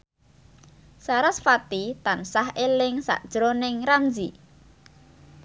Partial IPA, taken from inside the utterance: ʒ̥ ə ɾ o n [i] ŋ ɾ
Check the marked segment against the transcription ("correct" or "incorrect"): incorrect